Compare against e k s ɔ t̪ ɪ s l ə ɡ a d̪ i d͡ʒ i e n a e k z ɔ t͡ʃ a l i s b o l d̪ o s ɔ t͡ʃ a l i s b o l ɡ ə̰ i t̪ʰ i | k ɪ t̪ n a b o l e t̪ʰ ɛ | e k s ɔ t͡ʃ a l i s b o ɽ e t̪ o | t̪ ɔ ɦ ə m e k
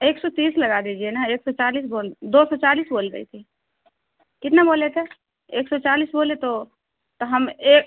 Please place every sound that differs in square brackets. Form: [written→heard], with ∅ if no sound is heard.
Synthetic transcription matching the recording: e k s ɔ t̪ [ɪ→i] s l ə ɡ a d̪ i d͡ʒ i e n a e k [z→s] ɔ t͡ʃ a l i s b o l d̪ o s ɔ t͡ʃ a l i s b o l ɡ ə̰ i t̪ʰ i | k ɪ t̪ n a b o l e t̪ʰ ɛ | e k s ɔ t͡ʃ a l i s b o [ɽ→l] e t̪ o | t̪ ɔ ɦ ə m e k